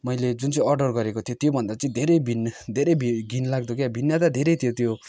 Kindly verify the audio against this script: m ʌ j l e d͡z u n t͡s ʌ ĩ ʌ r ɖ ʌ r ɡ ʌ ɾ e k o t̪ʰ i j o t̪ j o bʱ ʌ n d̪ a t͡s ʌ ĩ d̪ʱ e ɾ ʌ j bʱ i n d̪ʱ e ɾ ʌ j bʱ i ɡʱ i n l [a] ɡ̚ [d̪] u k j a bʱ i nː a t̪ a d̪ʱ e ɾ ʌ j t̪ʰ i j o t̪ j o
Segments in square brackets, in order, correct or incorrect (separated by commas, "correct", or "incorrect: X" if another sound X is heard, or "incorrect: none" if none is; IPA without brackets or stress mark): correct, correct